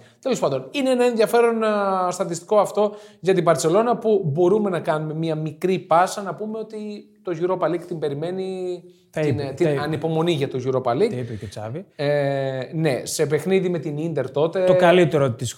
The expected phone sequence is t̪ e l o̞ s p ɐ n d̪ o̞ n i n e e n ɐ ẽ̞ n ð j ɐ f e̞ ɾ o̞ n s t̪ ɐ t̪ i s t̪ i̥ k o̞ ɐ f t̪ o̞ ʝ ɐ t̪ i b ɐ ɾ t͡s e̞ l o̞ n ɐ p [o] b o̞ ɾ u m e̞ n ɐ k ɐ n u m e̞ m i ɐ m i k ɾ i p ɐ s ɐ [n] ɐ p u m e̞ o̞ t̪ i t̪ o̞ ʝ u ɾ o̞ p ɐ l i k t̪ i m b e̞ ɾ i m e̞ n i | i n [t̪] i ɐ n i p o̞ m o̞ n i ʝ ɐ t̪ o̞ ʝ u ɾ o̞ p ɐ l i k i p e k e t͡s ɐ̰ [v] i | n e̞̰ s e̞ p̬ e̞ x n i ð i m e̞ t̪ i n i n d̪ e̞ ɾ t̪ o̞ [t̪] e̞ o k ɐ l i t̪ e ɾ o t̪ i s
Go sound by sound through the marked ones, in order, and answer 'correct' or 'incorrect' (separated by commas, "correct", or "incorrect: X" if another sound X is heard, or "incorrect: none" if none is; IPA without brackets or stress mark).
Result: incorrect: u, correct, correct, correct, correct